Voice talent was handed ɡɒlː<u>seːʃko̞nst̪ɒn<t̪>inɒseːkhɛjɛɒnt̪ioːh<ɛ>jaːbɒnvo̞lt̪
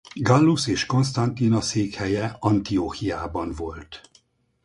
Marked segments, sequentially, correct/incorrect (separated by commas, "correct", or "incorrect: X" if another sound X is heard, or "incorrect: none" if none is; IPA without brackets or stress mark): correct, correct, incorrect: i